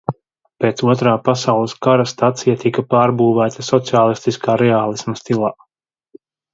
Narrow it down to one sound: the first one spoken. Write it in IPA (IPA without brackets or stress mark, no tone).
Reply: p